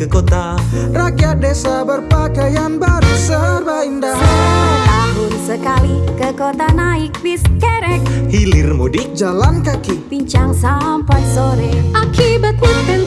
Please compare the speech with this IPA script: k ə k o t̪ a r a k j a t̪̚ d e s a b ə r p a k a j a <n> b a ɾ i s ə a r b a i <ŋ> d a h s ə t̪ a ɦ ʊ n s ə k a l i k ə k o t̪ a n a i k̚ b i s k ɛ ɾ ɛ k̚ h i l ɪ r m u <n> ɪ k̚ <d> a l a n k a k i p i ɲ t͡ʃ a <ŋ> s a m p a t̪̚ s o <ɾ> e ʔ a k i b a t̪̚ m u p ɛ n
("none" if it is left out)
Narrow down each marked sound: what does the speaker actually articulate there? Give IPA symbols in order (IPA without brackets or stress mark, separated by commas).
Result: n, n, d, d͡ʒ, ŋ, ɾ